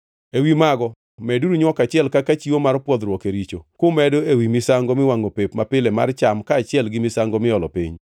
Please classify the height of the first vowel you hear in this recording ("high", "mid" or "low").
mid